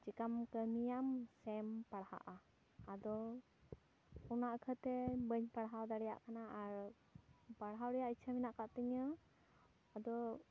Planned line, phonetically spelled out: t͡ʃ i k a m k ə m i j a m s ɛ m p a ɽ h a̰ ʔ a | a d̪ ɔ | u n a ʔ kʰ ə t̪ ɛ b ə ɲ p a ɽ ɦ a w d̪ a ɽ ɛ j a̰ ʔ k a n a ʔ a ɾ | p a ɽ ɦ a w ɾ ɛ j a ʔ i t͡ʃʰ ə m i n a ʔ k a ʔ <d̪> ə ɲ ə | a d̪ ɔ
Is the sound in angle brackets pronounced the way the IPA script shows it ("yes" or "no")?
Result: no